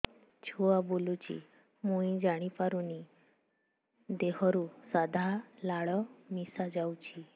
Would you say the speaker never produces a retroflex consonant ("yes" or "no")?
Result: no